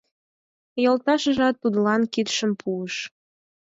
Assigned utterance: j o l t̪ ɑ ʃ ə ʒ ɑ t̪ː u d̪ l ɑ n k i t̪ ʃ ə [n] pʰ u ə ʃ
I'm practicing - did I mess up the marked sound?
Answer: yes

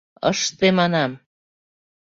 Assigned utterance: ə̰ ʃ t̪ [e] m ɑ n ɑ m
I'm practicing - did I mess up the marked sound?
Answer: no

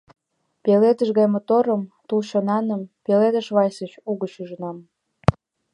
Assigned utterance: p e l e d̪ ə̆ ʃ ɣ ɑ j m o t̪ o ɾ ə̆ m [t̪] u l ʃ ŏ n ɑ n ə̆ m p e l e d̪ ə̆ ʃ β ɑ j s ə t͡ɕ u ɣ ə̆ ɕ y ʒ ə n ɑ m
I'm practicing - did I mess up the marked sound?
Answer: no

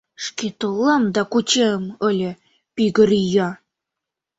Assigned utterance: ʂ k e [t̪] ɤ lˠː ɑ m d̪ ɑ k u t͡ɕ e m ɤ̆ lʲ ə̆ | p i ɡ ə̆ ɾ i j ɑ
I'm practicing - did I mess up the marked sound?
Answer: no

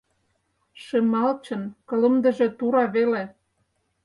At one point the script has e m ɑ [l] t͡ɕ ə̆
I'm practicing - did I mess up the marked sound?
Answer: no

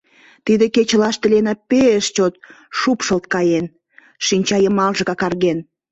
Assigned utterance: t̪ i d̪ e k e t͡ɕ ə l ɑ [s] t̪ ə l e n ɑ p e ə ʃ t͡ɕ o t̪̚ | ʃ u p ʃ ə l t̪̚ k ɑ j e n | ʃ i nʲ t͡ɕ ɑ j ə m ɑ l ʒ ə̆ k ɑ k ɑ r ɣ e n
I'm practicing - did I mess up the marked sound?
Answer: yes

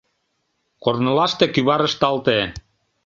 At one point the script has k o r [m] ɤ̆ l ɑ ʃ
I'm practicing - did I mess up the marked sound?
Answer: yes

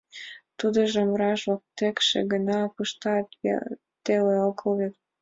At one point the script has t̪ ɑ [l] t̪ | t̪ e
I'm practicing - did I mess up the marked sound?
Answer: yes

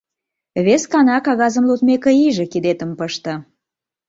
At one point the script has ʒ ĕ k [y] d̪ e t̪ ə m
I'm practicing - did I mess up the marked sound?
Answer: yes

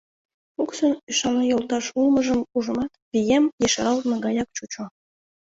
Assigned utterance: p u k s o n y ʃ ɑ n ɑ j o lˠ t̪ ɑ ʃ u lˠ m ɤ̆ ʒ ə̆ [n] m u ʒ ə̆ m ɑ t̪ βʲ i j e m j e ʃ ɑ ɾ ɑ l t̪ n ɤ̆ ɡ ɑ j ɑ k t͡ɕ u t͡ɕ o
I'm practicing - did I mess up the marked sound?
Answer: yes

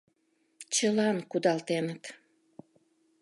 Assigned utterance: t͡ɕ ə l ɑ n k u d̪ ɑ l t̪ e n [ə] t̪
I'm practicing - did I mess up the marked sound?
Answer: no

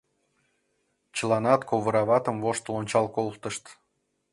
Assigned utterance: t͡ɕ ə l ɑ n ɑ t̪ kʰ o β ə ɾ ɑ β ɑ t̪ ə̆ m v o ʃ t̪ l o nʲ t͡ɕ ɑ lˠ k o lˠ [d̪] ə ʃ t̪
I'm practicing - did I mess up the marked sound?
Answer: yes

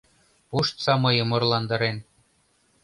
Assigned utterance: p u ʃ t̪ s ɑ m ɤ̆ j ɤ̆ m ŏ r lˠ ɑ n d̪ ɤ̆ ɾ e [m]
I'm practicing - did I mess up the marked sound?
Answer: yes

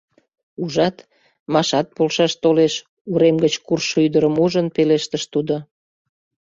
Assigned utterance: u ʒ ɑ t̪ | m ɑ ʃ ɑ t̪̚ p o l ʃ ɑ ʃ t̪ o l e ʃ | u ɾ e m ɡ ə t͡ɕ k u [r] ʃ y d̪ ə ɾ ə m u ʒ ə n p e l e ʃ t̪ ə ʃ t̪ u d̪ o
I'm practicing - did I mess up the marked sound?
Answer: no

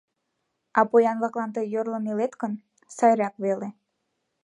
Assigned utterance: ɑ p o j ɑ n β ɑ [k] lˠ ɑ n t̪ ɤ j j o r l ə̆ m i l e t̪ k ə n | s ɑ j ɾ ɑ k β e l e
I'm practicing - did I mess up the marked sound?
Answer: no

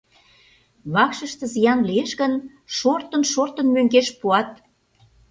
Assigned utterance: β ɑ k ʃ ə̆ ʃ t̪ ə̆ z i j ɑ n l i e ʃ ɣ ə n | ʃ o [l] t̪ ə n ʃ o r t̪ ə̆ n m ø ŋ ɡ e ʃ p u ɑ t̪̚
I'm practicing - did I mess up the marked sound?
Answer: yes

